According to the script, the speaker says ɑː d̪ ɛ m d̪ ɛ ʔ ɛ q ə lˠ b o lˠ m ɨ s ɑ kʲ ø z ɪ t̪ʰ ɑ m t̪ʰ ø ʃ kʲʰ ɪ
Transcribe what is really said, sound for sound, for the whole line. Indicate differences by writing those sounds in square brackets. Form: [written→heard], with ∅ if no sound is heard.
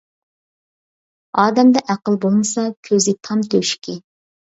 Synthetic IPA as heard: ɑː d̪ ɛ m d̪ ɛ ʔ [ɛ→æ] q ə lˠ b o lˠ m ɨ s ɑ [kʲ→kʲʰ] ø z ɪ t̪ʰ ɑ m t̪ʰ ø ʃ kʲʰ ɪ